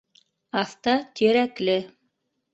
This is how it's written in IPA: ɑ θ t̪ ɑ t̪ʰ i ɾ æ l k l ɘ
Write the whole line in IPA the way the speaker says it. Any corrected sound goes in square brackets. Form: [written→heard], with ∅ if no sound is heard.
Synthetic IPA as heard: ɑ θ t̪ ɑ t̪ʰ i ɾ æ [l→∅] k l ɘ